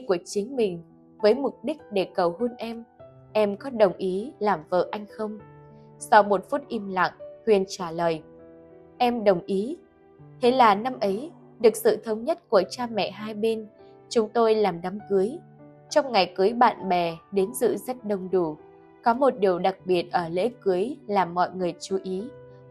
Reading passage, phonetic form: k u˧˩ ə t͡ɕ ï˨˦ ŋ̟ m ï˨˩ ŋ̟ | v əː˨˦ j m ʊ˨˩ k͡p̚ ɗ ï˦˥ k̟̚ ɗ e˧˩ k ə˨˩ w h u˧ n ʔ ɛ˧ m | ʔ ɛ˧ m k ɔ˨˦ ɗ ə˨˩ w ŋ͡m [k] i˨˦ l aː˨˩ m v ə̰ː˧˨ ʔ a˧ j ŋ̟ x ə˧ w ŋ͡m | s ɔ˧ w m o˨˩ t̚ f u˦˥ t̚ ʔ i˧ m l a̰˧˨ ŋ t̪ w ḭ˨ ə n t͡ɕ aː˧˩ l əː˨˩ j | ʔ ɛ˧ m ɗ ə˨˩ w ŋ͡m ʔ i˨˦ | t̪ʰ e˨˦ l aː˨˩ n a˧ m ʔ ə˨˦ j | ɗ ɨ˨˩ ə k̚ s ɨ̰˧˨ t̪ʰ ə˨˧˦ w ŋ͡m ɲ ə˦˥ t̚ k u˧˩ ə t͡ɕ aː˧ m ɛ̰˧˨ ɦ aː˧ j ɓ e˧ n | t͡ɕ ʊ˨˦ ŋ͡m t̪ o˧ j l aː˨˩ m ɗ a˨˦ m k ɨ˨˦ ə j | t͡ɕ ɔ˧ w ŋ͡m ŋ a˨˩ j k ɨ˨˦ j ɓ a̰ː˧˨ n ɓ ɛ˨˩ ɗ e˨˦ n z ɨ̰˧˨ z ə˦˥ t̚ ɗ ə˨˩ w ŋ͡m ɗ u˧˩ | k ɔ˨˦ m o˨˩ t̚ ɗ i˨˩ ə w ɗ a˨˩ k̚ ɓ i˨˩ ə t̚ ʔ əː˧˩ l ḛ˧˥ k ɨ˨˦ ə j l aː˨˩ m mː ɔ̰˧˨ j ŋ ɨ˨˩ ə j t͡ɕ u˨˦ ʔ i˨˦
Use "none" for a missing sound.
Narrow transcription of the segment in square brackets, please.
ʔ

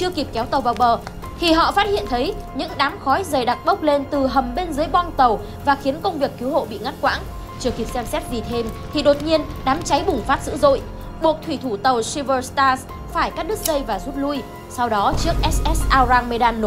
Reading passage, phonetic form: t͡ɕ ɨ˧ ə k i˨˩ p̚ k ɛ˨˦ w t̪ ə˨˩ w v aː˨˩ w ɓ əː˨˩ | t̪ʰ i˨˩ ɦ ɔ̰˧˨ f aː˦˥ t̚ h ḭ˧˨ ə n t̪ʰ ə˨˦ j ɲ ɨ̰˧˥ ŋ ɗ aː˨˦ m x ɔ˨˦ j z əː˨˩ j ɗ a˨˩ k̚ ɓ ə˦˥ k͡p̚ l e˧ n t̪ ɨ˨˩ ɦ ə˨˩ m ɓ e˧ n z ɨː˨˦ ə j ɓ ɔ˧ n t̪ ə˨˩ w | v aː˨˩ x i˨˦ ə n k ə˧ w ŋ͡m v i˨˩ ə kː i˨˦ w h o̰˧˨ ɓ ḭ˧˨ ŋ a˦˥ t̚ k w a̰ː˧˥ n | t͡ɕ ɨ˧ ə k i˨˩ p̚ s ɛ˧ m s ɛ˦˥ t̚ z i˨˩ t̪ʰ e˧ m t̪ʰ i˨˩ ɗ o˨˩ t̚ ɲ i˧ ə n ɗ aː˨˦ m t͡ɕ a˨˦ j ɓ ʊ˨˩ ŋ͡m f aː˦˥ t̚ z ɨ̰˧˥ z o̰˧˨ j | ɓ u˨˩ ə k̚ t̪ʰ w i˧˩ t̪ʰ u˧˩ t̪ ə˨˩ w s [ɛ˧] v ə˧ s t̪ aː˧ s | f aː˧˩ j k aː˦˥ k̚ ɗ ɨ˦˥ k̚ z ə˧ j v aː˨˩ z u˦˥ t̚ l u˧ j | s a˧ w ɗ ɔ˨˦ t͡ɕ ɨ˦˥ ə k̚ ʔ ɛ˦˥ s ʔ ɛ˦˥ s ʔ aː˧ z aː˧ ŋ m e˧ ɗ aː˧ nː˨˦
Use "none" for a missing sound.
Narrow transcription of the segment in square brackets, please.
i˧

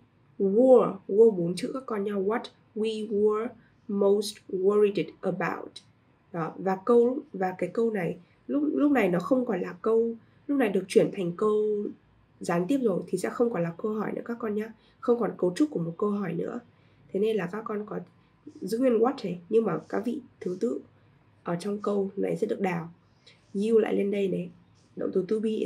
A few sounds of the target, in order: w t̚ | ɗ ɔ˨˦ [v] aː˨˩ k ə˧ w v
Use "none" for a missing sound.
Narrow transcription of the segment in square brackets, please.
v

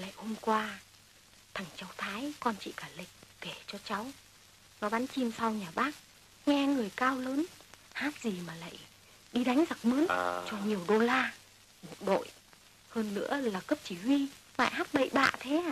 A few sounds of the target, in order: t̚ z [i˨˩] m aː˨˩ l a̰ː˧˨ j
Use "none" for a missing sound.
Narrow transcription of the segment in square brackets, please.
i˨˩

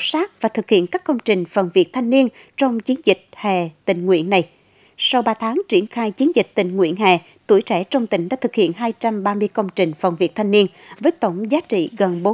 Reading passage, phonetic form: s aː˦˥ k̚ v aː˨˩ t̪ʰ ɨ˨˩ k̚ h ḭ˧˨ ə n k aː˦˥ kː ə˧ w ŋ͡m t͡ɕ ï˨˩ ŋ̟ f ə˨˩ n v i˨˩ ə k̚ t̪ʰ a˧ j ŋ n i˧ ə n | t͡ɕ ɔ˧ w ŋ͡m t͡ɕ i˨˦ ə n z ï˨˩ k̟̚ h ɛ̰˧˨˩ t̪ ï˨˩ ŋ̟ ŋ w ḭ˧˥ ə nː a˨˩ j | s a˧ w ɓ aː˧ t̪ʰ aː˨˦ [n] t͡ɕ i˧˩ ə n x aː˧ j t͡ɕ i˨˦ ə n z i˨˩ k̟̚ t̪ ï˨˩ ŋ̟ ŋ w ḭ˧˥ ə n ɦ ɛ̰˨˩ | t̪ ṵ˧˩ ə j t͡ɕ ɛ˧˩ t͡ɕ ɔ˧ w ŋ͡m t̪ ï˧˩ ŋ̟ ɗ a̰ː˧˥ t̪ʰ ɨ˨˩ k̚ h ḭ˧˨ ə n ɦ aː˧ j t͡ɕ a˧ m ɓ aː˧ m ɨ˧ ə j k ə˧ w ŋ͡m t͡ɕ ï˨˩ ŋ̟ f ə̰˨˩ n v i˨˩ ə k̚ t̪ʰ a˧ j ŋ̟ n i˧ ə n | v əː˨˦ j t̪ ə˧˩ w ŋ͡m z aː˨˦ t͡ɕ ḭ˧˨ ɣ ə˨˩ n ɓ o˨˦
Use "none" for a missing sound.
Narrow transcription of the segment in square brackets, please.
ŋ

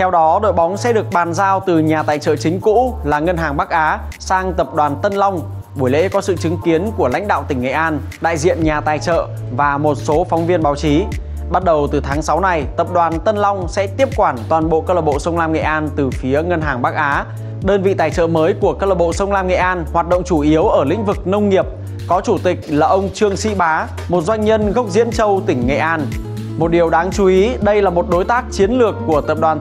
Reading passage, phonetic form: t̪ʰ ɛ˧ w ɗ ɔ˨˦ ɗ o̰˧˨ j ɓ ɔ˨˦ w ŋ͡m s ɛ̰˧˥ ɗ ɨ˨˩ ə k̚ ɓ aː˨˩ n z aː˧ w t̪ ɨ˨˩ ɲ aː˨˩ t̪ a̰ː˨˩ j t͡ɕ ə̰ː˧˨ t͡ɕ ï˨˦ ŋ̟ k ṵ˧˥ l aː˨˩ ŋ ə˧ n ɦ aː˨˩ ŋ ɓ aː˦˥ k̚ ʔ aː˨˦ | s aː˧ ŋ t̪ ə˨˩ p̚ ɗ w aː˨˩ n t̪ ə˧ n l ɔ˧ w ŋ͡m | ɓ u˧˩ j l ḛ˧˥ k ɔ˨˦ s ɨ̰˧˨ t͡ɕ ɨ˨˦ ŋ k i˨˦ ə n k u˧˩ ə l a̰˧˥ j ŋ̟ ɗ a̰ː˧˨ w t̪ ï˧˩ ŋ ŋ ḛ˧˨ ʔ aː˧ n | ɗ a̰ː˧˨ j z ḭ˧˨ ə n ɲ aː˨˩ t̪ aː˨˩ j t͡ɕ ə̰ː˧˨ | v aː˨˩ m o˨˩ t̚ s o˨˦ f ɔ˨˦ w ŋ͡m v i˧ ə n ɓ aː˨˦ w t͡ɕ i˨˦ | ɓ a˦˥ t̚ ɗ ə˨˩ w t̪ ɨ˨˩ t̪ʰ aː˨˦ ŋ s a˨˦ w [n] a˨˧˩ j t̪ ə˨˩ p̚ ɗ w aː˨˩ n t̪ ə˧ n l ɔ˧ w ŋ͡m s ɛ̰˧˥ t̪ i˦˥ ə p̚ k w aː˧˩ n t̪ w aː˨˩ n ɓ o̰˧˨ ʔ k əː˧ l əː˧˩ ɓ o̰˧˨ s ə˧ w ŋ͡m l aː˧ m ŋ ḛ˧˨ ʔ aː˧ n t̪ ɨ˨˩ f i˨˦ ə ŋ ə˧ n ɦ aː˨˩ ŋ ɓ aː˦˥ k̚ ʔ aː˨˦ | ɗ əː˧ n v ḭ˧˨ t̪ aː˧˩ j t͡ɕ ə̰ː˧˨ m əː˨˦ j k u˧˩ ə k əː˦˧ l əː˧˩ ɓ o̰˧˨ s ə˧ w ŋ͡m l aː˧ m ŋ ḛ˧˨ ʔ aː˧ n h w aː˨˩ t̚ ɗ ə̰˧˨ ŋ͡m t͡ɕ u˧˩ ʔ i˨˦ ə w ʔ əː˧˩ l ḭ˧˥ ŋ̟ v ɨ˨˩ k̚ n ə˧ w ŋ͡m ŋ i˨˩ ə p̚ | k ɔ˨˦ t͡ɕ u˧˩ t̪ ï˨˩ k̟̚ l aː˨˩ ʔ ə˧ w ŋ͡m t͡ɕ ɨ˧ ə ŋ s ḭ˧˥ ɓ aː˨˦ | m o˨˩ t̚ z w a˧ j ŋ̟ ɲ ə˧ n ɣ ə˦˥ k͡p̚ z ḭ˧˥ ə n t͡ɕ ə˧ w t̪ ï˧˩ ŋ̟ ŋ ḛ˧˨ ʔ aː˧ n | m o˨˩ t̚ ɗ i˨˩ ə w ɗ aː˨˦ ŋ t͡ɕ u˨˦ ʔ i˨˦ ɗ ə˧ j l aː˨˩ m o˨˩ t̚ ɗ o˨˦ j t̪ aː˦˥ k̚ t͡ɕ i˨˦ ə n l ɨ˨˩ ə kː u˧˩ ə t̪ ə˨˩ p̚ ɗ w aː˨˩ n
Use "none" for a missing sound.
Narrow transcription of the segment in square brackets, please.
n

